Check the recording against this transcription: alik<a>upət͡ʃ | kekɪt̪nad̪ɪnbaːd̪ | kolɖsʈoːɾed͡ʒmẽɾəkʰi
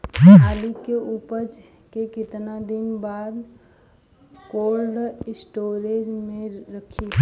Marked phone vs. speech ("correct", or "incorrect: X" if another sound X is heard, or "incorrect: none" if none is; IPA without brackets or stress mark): incorrect: e